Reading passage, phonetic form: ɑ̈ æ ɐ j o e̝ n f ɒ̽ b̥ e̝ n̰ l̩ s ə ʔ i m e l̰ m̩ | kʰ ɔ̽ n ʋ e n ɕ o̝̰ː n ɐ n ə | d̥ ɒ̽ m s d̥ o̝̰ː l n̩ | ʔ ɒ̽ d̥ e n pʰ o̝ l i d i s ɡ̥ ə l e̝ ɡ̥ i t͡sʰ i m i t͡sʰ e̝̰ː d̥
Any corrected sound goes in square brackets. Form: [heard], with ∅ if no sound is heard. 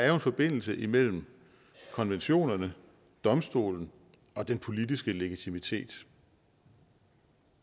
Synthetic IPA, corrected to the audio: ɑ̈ æ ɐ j o e̝ n f ɒ̽ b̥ e̝ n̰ l̩ s ə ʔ i m e l̰ m̩ | kʰ [ɒ̽] n ʋ e n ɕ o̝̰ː n ɐ n ə | d̥ ɒ̽ m s d̥ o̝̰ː l n̩ | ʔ ɒ̽ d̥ e n pʰ o̝ l i d i s ɡ̥ ə l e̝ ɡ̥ i t͡sʰ i m i t͡sʰ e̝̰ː d̥